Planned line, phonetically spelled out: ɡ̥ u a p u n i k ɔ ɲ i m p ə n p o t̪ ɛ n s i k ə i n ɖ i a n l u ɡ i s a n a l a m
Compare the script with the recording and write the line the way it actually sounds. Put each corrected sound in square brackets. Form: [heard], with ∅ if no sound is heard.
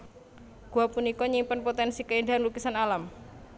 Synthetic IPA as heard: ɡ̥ u a p u n i k ɔ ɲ i m p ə n p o t̪ ɛ n s i k ə i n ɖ [a] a n l u [k] i s a n a l a m